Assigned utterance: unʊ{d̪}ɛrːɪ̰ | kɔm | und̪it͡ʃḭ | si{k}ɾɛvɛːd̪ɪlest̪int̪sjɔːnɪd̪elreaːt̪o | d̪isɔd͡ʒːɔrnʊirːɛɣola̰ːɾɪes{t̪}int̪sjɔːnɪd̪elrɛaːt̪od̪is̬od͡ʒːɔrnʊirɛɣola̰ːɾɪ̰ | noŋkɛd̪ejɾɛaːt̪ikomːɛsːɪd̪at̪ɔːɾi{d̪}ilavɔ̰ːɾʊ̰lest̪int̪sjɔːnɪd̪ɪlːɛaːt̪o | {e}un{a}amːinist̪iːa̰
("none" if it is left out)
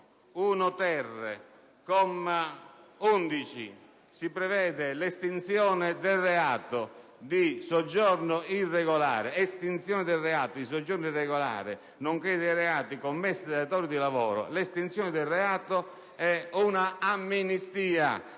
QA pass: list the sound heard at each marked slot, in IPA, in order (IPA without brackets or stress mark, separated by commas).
t̪, p, t̪, d̪, ɛ, a